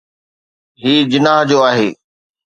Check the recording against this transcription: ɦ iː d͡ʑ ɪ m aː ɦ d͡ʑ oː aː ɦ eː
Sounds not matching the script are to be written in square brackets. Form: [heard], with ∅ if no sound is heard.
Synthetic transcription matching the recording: ɦ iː d͡ʑ ɪ [n] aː ɦ d͡ʑ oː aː ɦ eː